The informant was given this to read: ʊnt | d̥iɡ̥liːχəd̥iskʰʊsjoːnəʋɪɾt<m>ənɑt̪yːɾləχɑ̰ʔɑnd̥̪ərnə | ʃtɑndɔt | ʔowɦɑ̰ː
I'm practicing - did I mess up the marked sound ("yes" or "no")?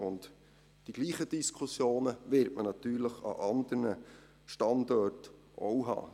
no